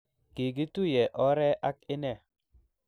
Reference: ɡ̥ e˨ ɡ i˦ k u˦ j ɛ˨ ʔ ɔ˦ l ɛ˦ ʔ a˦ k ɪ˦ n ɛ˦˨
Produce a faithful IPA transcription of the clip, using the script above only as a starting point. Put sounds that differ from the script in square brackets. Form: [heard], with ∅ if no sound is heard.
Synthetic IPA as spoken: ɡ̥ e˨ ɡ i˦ [t] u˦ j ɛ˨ ʔ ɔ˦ [ɾ] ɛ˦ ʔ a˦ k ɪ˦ n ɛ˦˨